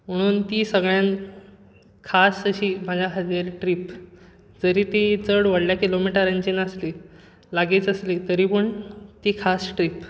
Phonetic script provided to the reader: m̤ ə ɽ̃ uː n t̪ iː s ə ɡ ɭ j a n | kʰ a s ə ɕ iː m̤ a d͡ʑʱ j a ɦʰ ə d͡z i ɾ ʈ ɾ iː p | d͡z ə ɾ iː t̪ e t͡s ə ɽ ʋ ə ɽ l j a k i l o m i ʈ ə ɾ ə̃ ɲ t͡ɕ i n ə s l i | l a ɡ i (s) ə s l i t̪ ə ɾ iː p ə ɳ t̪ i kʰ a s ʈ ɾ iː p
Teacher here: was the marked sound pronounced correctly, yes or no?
no